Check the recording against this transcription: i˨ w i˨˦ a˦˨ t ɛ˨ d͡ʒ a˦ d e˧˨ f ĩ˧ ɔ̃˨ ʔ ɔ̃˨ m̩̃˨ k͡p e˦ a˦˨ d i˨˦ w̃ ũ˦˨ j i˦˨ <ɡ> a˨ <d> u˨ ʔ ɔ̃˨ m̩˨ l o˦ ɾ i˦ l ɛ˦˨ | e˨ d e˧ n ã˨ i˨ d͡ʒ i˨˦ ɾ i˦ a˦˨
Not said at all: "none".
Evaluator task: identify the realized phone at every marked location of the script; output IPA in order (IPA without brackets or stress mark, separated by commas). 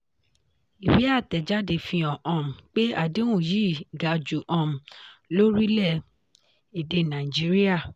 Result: ɡ, d͡ʒ